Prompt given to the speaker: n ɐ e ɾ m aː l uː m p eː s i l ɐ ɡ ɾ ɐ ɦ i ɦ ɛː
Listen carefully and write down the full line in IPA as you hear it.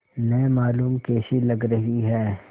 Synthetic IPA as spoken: n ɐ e m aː l uː m k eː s i l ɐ ɡ ɾ ɐ ɦ i ɦ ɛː